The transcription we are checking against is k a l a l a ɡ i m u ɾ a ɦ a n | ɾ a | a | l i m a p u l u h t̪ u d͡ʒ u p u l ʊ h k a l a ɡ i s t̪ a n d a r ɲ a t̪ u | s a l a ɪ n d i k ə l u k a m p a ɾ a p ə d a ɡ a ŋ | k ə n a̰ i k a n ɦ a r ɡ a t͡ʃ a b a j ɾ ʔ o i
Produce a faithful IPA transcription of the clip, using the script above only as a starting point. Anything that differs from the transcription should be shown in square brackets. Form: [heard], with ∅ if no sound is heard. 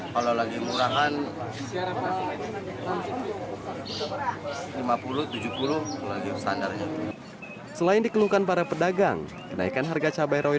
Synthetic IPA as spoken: k a l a l a ɡ i m u ɾ a ɦ a n | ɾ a | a | l i m a p u l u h t̪ u d͡ʒ u p u l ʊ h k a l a ɡ i s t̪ a n d a r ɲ a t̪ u | s [ə] l a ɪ n d i k ə l u k a [n] p a ɾ a p ə d a ɡ a ŋ | k ə n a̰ i k a n ɦ a r ɡ a t͡ʃ a b a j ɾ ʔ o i